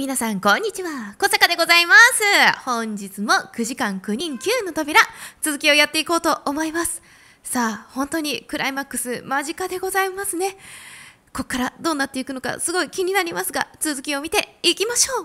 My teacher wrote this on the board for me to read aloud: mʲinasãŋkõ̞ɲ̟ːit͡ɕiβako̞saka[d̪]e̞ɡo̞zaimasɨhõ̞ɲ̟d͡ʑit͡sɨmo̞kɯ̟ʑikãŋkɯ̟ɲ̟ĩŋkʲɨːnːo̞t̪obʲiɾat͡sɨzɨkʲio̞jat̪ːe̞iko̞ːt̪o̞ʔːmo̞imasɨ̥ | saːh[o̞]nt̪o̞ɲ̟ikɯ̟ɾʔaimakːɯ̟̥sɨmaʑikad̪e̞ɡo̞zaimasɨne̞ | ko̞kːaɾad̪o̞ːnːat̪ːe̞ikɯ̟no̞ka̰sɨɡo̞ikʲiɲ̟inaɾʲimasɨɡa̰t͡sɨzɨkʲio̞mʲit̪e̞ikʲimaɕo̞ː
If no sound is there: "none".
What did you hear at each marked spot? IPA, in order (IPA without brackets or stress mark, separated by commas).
d̪, õ̞